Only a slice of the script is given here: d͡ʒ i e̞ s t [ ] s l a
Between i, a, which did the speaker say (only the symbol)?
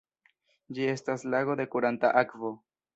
a